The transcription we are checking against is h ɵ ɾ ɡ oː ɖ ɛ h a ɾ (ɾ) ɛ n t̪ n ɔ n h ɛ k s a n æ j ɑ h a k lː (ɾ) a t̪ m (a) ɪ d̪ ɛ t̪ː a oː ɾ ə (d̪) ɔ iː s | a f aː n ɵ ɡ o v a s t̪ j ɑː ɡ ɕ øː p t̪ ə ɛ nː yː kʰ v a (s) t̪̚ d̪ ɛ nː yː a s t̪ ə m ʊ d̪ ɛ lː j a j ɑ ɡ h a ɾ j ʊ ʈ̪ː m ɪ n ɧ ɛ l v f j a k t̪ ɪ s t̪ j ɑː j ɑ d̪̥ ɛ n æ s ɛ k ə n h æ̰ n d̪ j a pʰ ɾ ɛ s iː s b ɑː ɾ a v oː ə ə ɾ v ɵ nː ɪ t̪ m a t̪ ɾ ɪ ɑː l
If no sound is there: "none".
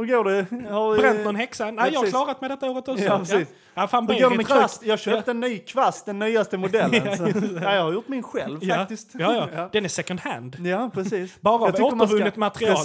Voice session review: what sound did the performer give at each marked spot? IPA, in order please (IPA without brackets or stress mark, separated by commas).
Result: ɾ, ɾ, ɛ, t̪, s